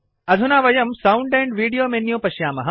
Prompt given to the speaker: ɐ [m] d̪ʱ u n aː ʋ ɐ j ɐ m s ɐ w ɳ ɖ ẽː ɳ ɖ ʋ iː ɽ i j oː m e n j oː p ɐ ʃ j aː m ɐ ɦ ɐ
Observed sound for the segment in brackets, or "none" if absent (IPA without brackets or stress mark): none